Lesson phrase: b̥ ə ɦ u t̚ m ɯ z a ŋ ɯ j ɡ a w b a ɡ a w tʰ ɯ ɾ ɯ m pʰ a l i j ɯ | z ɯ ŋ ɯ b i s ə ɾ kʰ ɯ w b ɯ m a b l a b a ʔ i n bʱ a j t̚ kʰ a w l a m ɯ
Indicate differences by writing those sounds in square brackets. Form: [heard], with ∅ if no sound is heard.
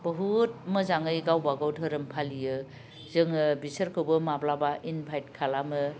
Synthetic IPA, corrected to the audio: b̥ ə ɦ u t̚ m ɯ z a ŋ ɯ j ɡ a w b a ɡ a w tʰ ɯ ɾ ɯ m pʰ a l i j ɯ | z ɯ ŋ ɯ b i s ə ɾ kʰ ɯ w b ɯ m a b l a b a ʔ i n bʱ a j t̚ kʰ a [∅] l a m ɯ

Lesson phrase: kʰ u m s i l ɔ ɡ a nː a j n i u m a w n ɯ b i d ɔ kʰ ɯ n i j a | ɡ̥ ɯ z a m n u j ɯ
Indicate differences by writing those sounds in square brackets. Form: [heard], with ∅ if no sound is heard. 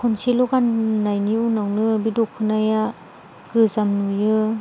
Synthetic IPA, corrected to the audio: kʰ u [n] s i l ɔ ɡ a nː a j n i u [n] a w n ɯ b i d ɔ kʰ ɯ n [a] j a | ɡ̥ ɯ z a m n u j ɯ

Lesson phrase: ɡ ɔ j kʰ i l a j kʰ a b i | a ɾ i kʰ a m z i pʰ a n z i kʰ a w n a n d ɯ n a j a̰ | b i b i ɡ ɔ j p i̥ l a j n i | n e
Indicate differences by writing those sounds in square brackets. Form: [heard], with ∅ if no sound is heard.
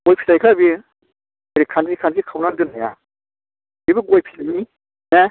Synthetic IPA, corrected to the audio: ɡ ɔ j [pʰ] i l a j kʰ a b i | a ɾ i kʰ a [n] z i [kʰ] a n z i kʰ a w n a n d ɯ n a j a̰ | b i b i ɡ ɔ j [pʰ] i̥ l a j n i | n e

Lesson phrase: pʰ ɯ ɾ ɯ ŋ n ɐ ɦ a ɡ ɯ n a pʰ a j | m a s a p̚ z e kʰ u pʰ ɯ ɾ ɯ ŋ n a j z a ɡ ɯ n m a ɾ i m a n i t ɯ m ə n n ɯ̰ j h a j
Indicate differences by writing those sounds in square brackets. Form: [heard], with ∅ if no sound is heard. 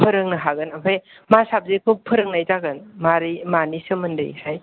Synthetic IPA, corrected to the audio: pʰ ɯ ɾ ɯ ŋ n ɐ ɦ a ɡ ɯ n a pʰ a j | m a s a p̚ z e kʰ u pʰ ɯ ɾ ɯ ŋ n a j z a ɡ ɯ n m a ɾ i m a n i [s] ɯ m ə n [d] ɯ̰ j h a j

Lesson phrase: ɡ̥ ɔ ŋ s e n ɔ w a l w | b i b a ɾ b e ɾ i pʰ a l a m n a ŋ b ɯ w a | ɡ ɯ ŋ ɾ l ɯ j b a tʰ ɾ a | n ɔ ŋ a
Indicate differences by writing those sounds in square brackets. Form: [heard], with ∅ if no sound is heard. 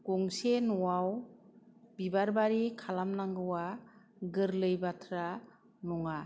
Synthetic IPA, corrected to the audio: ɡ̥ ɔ ŋ s e n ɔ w a [∅] w | b i b a ɾ b [a] ɾ i [kʰ] a l a m n a ŋ [ɡ] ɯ w a | ɡ ɯ [∅] ɾ l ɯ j b a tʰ ɾ a | n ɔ ŋ a

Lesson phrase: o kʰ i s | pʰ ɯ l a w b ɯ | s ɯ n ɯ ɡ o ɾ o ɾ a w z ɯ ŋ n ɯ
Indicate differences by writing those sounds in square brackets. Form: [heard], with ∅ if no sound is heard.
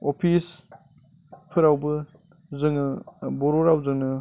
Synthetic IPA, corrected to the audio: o [pʰ] i s | pʰ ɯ [ɾ] a w b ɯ | [z] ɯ [ŋ] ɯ [b] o ɾ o ɾ a w z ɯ ŋ n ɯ

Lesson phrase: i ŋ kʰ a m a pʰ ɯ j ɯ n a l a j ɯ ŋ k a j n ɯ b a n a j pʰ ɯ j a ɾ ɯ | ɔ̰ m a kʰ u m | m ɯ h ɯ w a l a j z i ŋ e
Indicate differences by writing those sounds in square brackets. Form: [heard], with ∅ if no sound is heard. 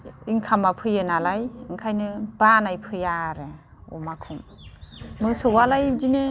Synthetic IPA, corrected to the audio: i ŋ kʰ a m a pʰ ɯ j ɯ n a l a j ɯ ŋ [kʰ] a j n ɯ b a n a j pʰ ɯ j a ɾ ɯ | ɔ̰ m a kʰ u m | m ɯ [s] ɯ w a l a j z i [n] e

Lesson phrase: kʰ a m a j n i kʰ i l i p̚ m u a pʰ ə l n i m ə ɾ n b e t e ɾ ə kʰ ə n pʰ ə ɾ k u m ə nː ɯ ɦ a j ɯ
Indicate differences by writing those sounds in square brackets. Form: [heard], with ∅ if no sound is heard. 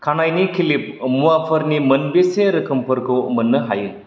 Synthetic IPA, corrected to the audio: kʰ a [n] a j n i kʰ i l i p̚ m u a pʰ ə [ɾ] n i m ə [∅] n b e [s] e ɾ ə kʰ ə [m] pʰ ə ɾ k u m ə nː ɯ ɦ a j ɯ

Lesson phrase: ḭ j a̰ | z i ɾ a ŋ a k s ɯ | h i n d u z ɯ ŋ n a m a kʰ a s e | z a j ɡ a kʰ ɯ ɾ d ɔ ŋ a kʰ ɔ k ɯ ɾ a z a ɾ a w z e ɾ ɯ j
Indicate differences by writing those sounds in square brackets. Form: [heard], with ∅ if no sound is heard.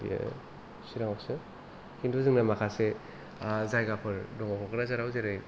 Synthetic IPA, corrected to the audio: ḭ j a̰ | [s] i ɾ a ŋ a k s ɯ | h i n d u z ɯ ŋ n a m a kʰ a s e | z a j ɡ a [pʰ] ɯ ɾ d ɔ ŋ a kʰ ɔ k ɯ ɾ a z a ɾ a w z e ɾ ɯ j

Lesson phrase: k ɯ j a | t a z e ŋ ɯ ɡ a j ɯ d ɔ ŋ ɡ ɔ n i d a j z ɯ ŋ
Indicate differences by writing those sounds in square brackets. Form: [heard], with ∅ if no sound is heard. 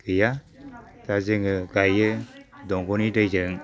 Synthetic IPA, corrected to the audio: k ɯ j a | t a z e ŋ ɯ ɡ a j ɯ d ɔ ŋ ɡ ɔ n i d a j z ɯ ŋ

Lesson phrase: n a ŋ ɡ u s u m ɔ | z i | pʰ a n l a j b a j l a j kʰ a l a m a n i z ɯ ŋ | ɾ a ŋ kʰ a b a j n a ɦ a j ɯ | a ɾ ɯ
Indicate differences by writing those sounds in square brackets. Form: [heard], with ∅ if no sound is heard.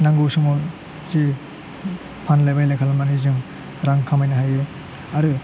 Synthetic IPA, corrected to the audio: n a ŋ ɡ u s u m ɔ | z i | pʰ a n l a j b a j l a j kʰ a l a m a n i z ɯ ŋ | ɾ a ŋ kʰ a [m] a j n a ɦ a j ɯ | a ɾ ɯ

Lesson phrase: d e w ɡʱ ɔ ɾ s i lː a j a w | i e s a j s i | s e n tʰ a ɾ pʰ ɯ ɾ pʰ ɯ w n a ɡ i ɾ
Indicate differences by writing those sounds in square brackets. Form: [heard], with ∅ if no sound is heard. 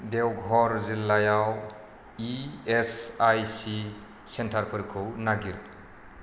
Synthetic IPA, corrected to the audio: d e w ɡʱ ɔ ɾ [z] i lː a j a w | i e s a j s i | s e n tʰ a ɾ pʰ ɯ ɾ [kʰ] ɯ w n a ɡ i ɾ

